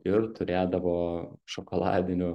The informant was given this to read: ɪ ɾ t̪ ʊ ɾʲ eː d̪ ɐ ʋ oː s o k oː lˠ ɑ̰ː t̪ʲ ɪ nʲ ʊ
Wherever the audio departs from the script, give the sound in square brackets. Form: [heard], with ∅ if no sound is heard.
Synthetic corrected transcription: ɪ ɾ t̪ ʊ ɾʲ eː d̪ ɐ ʋ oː [ʃ] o k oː lˠ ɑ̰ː [d̪ʲ] ɪ nʲ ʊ